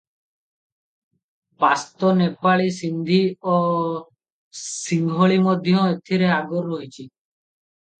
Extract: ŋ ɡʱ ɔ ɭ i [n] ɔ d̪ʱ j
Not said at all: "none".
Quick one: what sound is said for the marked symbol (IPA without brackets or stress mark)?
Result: m